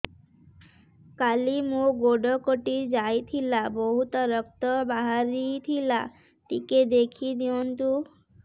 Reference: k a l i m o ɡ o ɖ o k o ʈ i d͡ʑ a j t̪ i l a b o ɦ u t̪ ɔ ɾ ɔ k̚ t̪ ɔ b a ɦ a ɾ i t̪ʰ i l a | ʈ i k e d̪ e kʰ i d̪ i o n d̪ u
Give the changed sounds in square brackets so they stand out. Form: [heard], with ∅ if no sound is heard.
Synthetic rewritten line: k a l i m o ɡ o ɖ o k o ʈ i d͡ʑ a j [t̪ʰ] i l a b o ɦ u t̪ ɔ ɾ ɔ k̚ t̪ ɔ b a ɦ a ɾ i t̪ʰ i l a | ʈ i k e d̪ e kʰ i d̪ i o n [t̪] u

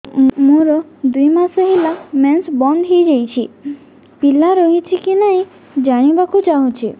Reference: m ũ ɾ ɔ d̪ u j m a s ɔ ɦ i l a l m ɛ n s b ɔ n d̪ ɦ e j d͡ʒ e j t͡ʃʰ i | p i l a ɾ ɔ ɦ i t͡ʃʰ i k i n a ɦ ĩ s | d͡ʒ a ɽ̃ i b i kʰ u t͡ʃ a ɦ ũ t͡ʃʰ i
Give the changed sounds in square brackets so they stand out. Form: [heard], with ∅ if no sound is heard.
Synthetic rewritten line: m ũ ɾ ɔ d̪ u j m a s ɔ ɦ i l a [∅] m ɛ n s b ɔ n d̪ ɦ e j d͡ʒ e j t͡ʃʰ i | p i l a ɾ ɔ ɦ i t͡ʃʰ i k i n a ɦ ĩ [∅] | d͡ʒ a ɽ̃ i b [a] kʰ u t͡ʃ a ɦ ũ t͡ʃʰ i

